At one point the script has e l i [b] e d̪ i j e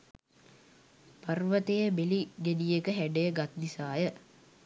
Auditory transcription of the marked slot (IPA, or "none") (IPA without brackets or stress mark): ɡ